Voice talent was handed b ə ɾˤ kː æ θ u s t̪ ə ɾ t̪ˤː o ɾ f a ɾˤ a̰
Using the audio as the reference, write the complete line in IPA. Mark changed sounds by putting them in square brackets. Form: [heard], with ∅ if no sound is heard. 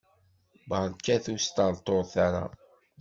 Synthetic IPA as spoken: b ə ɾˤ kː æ θ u s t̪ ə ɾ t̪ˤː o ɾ [θ] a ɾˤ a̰